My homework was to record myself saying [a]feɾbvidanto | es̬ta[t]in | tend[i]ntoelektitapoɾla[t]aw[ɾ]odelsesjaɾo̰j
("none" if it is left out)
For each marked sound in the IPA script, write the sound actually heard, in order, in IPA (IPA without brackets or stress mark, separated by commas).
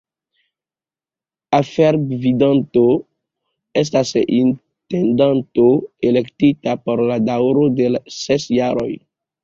a, s, a, d, ɾ